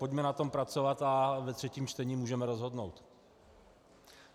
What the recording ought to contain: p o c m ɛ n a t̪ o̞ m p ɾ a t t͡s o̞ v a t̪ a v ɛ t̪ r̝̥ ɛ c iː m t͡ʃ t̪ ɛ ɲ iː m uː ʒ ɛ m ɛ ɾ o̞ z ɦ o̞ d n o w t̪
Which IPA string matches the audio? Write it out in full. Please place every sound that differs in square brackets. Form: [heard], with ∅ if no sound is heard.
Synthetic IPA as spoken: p o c m ɛ n a t̪ o̞ m p ɾ a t t͡s o̞ v a t̪ a v ɛ t̪ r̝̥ ɛ c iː m t͡ʃ t̪ ɛ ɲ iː m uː ʒ ɛ m ɛ ɾ o̞ z ɦ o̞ d n o w t̪